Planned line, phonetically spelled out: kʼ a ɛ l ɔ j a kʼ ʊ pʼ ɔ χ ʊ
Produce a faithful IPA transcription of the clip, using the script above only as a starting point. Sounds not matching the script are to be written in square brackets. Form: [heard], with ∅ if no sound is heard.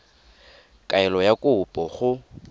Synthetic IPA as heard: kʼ a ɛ l ɔ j a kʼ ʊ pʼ ɔ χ ʊ